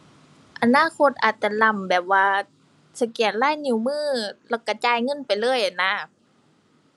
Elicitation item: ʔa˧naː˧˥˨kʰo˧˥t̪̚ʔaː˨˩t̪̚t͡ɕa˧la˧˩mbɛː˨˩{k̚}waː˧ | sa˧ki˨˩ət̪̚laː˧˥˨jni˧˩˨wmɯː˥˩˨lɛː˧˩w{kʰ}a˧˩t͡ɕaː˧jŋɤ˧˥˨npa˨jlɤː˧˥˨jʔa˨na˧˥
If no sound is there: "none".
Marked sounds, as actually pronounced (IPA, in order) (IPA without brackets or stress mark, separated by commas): p̚, k